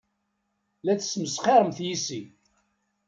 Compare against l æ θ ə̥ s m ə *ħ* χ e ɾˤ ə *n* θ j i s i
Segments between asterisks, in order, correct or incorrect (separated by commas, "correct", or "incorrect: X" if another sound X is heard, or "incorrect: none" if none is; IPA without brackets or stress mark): incorrect: s, incorrect: m